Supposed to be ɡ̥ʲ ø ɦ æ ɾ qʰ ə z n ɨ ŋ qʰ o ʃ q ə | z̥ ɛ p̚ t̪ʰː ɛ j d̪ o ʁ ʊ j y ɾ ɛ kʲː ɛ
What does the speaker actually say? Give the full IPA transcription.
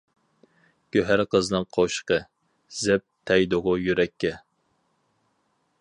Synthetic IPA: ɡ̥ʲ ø ɦ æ ɾ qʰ ə z n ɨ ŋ qʰ o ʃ q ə | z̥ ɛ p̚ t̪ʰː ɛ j d̪ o ʁ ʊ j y ɾ ɛ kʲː ɛ